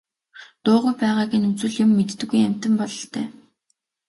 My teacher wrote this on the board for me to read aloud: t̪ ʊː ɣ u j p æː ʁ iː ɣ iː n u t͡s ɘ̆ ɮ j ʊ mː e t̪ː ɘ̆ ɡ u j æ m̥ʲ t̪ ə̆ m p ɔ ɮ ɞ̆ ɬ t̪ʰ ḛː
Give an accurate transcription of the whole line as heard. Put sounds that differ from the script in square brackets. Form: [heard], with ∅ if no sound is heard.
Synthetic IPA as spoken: t̪ ʊː [ʁ] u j p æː ʁ [aː] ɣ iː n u t͡s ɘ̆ ɮ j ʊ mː e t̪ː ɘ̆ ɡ u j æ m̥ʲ t̪ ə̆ m p ɔ ɮ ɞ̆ ɬ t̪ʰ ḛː